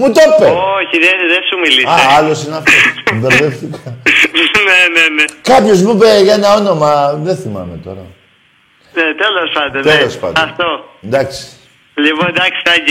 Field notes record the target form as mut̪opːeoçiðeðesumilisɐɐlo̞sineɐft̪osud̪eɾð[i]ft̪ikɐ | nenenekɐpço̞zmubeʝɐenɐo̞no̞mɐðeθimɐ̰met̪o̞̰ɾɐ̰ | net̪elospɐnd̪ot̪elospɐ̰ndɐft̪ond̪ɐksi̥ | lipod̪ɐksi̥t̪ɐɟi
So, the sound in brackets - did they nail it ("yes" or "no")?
no